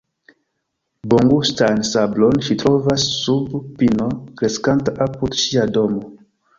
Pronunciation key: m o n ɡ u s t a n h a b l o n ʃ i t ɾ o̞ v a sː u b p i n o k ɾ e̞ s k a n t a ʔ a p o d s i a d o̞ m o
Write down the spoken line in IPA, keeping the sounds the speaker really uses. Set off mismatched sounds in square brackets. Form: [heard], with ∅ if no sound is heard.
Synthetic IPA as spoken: [b] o [ŋ] ɡ u s t a n [s] a b l o n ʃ i t ɾ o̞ v a sː u b p i n o k ɾ e̞ s k a n t a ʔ a p [u] d [ʃ] i a d o̞ m o

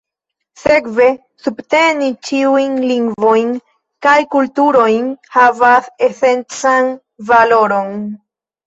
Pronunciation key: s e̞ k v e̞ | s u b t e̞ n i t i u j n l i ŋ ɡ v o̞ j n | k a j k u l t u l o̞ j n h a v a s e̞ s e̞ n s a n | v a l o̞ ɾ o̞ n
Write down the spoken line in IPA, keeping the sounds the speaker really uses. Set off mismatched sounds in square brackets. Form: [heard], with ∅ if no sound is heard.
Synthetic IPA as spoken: s e̞ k v e̞ | s u b t e̞ n i [t͡ʃ] i u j n l i ŋ ɡ v o̞ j n | k a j k u l t u [ɾ] o̞ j n h a v a s e̞ s e̞ n [t͡s] a n | v a l o̞ ɾ o̞ n

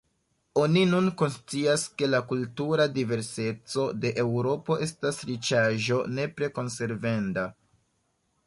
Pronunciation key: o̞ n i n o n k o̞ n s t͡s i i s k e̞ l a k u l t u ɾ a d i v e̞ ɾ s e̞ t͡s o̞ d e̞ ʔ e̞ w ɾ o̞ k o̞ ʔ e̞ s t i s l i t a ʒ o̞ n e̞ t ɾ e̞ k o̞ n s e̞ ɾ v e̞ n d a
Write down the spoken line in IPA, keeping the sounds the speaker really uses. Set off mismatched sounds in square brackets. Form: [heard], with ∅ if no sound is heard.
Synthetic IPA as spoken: o̞ n i n [u] n k o̞ n s t͡s i [a] s k e̞ l a k u l t u ɾ a d i v e̞ ɾ s e̞ t͡s o̞ d e̞ ʔ e̞ w ɾ o̞ [p] o̞ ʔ e̞ s t [a] s [ɾ] i [t͡ʃ] a ʒ o̞ n e̞ [p] ɾ e̞ k o̞ n s e̞ ɾ v e̞ n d a

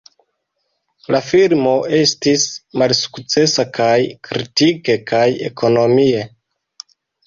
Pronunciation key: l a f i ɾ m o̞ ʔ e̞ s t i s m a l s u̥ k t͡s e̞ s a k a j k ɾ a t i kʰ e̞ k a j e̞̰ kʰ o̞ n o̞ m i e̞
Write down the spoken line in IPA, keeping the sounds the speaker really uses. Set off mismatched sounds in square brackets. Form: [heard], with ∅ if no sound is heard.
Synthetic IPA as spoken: l a f i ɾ m o̞ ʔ e̞ s t i s m a l s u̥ k t͡s e̞ s a k a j k ɾ [i] t i [k] e̞ k a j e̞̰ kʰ o̞ n o̞ m i e̞

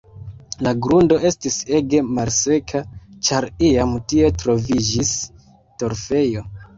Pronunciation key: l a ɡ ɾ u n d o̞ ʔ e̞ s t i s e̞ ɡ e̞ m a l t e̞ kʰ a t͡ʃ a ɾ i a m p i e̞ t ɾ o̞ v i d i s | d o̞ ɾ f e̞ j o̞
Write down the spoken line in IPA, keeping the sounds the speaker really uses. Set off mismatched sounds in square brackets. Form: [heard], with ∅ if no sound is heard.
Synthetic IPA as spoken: l a ɡ ɾ u n d o̞ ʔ e̞ s t i s e̞ ɡ e̞ m a l [s] e̞ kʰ a t͡ʃ a ɾ i a m [t] i e̞ t ɾ o̞ v i [d͡ʒ] i s | [t] o̞ ɾ f e̞ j o̞

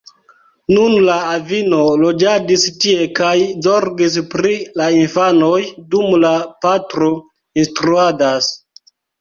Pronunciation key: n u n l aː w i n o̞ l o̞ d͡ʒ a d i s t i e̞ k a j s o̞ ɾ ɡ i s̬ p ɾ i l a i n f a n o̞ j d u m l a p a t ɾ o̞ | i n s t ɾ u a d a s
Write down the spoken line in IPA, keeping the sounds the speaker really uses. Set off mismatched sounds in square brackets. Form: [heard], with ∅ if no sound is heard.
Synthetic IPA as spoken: n u n l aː [v] i n o̞ l o̞ d͡ʒ a d i s t i e̞ k a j [z] o̞ ɾ ɡ i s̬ p ɾ i l a i n f a n o̞ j d u m l a p a t ɾ o̞ | i n s t ɾ u a d a s

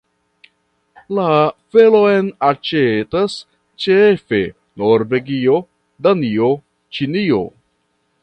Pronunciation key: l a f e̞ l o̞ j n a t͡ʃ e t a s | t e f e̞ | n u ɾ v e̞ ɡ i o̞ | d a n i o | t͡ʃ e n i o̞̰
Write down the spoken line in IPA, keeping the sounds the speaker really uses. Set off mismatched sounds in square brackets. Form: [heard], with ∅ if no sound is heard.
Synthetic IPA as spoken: l a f e̞ l o̞ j n a t͡ʃ e t a s | [t͡ʃ] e f e̞ | n [o] ɾ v e̞ ɡ i o̞ | d a n i o | t͡ʃ [i] n i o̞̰

